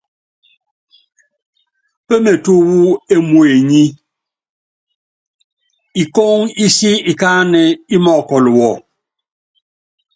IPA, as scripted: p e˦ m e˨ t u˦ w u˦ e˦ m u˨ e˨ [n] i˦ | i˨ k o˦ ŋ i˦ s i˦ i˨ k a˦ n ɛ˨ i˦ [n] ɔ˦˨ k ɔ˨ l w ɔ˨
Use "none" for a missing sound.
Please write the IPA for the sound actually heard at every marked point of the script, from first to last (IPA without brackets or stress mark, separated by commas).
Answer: ɲ, m